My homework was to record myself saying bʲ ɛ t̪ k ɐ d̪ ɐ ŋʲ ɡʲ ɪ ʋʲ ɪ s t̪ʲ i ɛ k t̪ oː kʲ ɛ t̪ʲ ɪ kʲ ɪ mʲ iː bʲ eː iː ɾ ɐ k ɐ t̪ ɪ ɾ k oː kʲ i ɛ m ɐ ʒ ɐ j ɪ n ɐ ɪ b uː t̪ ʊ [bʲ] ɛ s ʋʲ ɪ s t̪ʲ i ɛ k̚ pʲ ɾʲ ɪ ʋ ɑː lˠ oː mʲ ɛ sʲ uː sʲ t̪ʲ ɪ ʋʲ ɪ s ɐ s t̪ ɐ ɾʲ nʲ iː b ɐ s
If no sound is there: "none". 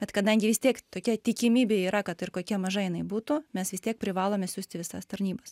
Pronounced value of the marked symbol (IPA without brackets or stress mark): mʲ